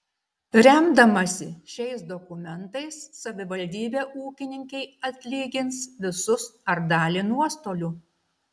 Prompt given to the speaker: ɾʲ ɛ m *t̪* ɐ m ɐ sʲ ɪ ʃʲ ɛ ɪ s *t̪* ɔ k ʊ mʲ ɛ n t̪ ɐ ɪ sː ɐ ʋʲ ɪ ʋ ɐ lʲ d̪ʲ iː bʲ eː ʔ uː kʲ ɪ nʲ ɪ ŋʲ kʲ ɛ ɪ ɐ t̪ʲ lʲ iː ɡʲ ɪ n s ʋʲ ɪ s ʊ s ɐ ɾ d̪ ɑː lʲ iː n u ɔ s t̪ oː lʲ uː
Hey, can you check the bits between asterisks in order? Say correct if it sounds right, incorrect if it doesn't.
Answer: incorrect: d̪, incorrect: d̪

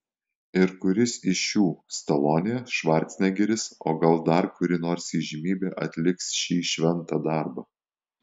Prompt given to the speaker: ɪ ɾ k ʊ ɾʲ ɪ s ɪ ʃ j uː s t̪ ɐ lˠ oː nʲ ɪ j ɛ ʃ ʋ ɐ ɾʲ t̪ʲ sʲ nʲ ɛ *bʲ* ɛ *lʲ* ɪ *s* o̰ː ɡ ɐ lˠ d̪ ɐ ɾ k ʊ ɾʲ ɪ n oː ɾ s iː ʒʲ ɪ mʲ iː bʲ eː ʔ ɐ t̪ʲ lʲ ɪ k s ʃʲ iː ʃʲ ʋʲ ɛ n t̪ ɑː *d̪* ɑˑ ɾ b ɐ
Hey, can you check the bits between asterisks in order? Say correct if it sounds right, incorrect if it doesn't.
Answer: incorrect: ɡʲ, incorrect: ɾʲ, correct, correct

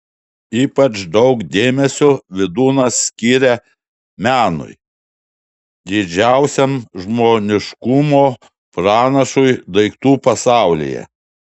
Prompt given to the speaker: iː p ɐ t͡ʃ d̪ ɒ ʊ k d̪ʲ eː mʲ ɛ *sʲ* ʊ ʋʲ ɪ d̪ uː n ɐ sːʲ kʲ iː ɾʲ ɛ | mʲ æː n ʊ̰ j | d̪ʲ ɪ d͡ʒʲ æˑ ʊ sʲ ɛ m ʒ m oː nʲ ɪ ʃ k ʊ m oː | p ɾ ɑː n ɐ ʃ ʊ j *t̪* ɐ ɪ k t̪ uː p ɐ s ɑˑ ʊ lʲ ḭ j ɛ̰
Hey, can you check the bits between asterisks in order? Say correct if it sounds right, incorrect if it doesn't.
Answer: correct, incorrect: d̪

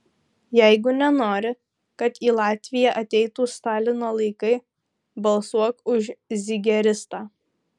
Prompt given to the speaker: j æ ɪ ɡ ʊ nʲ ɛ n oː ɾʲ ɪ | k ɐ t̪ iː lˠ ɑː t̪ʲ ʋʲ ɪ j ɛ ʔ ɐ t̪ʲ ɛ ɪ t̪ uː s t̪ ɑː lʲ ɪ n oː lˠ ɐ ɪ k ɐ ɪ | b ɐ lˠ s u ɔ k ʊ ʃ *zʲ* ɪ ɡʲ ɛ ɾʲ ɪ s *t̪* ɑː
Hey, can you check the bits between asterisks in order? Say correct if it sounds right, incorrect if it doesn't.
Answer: correct, correct

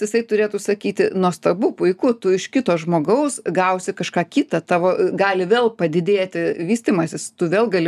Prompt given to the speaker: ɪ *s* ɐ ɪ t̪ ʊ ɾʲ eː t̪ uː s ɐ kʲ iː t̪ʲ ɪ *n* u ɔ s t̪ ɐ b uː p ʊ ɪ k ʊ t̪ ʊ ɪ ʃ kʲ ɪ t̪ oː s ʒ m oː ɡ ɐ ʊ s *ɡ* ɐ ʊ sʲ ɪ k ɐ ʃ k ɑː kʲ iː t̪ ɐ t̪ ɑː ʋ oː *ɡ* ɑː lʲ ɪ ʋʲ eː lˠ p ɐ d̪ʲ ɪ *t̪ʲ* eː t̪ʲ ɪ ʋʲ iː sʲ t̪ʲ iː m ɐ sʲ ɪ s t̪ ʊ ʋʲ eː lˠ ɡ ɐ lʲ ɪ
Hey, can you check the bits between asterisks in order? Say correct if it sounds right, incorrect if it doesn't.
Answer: correct, correct, correct, correct, incorrect: d̪ʲ

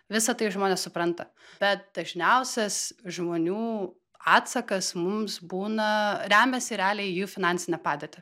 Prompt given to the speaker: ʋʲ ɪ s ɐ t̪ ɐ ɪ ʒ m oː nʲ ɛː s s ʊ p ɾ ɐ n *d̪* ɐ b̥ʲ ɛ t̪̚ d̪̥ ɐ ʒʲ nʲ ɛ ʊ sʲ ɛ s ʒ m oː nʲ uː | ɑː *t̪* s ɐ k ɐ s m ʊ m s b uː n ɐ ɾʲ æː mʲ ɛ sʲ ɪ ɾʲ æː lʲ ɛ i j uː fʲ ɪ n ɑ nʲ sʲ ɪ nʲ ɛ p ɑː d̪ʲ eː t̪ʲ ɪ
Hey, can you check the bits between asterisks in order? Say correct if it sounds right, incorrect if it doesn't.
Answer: incorrect: t̪, correct

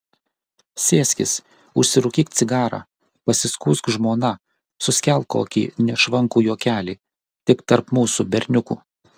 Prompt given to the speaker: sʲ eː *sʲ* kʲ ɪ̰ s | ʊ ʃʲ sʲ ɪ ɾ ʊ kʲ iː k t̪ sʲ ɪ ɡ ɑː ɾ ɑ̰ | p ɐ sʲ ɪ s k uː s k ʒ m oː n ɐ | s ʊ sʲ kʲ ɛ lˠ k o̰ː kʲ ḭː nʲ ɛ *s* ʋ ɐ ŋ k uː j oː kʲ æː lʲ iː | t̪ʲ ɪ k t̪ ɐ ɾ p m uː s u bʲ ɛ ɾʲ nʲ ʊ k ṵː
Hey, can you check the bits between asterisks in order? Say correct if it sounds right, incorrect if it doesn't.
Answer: correct, incorrect: ʃ

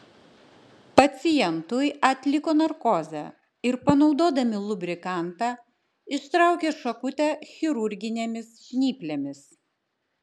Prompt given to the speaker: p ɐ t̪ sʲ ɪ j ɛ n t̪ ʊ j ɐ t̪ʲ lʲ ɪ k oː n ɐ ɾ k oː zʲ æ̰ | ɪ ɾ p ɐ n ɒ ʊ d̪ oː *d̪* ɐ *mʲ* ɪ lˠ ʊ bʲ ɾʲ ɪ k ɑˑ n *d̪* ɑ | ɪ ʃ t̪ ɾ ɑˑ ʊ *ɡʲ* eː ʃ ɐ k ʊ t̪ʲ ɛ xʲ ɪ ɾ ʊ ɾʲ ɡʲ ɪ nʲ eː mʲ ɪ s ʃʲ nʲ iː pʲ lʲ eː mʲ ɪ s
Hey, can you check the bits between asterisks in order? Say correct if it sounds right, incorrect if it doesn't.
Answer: correct, correct, incorrect: t̪, incorrect: kʲ

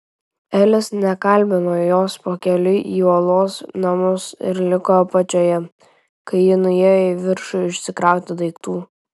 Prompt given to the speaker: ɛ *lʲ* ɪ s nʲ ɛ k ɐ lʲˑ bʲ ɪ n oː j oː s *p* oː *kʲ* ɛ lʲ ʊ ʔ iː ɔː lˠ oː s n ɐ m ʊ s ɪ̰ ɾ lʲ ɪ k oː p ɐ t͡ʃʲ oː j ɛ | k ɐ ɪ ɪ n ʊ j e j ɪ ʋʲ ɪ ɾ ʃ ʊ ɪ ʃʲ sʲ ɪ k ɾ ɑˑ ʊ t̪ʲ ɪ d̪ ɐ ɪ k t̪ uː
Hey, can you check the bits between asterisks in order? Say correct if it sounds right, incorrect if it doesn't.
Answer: correct, correct, correct

